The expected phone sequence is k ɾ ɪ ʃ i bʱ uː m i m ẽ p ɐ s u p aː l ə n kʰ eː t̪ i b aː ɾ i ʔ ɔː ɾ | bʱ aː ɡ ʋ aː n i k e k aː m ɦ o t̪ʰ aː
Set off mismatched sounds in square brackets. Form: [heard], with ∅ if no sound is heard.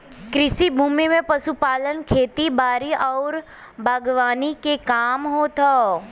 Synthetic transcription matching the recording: k ɾ ɪ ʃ i bʱ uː m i m ẽ p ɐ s u p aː l ə n kʰ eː t̪ i b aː ɾ i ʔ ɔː ɾ | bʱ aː ɡ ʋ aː n i k e k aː m ɦ o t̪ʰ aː